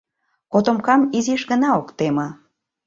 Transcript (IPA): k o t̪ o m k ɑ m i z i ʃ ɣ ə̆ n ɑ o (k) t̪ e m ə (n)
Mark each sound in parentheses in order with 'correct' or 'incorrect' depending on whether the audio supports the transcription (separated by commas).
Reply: correct, incorrect